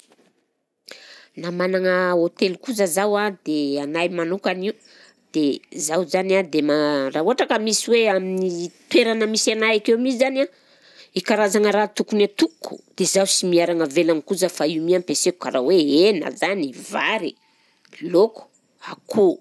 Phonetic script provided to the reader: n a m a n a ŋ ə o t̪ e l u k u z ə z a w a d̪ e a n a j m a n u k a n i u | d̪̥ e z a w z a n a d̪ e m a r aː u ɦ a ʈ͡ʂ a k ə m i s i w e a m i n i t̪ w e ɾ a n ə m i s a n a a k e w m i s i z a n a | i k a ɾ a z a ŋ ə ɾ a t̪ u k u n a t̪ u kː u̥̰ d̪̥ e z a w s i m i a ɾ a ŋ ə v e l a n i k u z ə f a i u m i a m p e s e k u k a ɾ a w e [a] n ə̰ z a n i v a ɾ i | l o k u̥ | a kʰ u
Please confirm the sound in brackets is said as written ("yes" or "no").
no